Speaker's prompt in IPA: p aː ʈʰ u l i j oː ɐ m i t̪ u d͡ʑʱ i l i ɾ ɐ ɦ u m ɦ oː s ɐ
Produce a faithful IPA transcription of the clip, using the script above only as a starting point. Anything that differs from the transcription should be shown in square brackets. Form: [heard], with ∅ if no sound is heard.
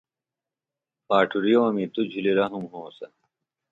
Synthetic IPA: p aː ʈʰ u [ɾ] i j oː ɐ m i t̪ u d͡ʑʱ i l i ɾ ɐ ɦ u m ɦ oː s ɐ